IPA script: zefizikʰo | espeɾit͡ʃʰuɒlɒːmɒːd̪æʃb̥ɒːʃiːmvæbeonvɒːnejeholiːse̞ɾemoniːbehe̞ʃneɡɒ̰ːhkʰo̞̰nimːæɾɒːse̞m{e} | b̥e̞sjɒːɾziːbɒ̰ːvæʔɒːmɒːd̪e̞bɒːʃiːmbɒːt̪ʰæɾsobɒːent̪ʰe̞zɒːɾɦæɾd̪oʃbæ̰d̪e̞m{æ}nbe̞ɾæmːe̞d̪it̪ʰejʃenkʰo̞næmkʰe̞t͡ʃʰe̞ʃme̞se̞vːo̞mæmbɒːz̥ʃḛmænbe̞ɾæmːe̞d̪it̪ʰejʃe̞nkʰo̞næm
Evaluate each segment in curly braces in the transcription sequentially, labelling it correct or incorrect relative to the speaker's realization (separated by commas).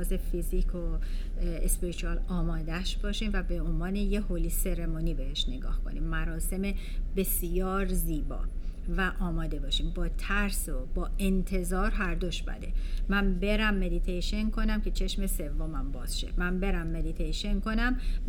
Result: correct, correct